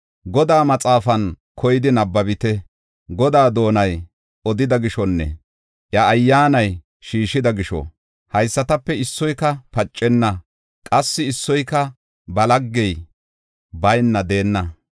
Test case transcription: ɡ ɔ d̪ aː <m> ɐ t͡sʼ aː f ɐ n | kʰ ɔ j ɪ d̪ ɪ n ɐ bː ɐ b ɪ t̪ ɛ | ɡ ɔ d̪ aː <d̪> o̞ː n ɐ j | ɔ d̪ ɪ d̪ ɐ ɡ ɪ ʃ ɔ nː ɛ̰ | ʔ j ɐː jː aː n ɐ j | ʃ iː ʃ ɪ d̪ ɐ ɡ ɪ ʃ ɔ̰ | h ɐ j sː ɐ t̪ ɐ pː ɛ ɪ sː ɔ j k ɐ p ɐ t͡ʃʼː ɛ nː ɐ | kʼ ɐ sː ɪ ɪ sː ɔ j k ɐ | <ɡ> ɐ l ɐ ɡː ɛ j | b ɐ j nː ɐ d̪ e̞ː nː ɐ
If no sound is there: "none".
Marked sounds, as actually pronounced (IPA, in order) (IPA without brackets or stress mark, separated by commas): m, d̪, b